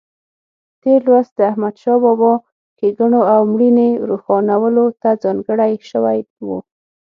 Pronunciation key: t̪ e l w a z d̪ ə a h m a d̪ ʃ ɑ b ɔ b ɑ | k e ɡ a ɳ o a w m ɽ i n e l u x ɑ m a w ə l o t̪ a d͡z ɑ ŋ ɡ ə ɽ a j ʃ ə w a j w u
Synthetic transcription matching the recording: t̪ e l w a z d̪ ə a h m a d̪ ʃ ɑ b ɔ b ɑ | k e ɡ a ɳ o a w m ɽ i n e ɾ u x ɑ n a w ə l o t̪ a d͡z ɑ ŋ ɡ ə ɽ a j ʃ ə w a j w u